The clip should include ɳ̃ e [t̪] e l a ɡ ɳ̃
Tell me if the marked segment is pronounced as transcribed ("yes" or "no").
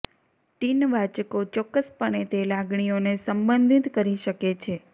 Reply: yes